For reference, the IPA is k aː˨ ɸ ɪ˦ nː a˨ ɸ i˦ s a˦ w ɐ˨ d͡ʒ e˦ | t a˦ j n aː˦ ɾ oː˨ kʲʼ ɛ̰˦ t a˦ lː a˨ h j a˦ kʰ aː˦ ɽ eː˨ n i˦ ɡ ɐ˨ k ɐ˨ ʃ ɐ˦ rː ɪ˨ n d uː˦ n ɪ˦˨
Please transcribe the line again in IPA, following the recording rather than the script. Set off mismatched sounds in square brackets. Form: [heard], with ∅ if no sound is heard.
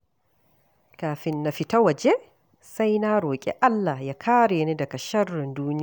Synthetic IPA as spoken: k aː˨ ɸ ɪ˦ nː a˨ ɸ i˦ [t] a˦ w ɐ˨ d͡ʒ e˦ | [s] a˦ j n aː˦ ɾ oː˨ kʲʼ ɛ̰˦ [ʔ] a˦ lː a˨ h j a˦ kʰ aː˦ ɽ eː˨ n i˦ [d] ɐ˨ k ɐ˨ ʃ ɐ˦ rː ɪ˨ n d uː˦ n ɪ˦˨

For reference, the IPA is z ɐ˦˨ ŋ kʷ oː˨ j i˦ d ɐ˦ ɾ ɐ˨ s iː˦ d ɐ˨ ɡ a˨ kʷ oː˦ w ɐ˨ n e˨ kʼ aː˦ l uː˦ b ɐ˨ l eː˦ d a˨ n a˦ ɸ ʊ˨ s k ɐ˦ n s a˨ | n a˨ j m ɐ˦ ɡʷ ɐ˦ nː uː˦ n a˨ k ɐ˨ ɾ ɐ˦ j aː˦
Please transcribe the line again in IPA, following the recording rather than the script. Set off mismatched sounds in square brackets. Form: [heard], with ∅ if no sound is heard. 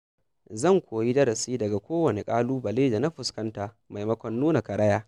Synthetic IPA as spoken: z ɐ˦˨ ŋ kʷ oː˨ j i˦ d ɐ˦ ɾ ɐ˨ s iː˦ d ɐ˨ ɡ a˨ kʷ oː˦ w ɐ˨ n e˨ kʼ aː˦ l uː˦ b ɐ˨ l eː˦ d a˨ n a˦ ɸ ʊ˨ s k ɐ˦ n [t] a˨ | [m] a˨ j m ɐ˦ [kʷ] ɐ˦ nː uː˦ n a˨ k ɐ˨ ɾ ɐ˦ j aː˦

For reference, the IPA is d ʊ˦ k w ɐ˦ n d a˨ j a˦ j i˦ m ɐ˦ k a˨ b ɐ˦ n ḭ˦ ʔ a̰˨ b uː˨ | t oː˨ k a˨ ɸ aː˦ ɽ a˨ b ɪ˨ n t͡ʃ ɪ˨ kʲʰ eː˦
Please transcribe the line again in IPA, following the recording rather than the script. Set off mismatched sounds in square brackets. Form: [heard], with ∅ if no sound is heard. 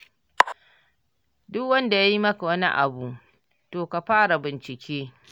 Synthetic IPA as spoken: d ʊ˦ k w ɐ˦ n d a˨ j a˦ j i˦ m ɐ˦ k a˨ [w] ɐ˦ n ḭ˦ ʔ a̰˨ b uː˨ | t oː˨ k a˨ ɸ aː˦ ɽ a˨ b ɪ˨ n t͡ʃ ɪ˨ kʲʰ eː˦

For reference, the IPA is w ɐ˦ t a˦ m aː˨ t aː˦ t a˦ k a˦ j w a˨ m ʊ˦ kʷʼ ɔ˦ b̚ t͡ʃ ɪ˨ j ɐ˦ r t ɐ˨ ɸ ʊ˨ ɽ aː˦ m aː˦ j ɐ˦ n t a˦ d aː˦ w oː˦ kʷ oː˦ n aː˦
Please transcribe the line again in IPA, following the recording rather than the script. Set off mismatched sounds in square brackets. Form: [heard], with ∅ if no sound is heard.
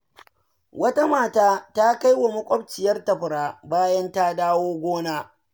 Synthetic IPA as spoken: w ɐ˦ t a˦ m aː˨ t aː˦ t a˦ k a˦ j w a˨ m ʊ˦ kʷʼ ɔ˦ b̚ t͡ʃ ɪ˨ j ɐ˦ r t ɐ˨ ɸ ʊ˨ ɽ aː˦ [b] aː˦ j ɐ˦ n t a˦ d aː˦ w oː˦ [ɡʷ] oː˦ n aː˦

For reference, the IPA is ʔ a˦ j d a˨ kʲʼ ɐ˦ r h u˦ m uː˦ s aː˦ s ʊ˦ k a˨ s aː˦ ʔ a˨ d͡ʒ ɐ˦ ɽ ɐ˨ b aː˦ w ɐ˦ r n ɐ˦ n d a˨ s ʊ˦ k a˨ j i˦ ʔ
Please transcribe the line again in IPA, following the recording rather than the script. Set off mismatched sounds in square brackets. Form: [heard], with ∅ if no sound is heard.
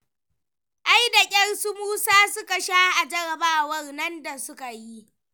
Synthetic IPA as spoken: ʔ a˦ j d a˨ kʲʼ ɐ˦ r [s] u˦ m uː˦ s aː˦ s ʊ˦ k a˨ [ʃ] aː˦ ʔ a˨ d͡ʒ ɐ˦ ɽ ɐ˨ b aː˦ w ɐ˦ r n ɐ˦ n d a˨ s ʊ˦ k a˨ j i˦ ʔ

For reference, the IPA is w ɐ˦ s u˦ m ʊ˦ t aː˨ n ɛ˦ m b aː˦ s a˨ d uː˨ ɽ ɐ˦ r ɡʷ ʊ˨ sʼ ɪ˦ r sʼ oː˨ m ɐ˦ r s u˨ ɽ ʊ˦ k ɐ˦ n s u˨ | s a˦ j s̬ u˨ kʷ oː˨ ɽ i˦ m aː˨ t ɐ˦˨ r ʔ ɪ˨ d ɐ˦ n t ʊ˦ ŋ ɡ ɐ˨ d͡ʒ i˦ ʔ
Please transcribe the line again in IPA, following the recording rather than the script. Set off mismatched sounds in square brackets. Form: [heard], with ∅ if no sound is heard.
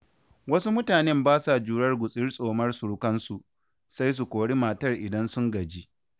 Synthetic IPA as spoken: w ɐ˦ s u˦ m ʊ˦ t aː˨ n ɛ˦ m b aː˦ s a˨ [d͡ʒ] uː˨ ɽ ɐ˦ r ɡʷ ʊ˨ sʼ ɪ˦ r sʼ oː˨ m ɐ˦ r s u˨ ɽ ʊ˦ k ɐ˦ n s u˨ | s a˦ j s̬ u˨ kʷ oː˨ ɽ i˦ m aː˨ t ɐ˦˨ r ʔ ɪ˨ d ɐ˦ n [s] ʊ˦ ŋ ɡ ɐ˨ d͡ʒ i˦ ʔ

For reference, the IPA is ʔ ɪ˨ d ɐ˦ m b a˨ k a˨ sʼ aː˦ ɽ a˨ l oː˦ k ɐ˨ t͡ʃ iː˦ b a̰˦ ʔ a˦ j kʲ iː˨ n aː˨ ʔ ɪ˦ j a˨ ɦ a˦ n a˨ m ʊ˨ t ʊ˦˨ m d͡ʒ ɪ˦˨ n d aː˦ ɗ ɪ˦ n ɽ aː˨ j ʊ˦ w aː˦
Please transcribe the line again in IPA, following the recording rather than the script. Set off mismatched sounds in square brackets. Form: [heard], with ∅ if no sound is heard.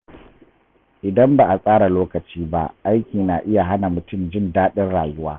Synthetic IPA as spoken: ʔ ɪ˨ d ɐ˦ m b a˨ [ʔ] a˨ sʼ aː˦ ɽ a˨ l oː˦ k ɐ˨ t͡ʃ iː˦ b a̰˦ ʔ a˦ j kʲ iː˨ n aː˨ ʔ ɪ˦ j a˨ ɦ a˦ n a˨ m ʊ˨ t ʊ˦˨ m d͡ʒ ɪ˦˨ n d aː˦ ɗ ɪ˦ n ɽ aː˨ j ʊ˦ w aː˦

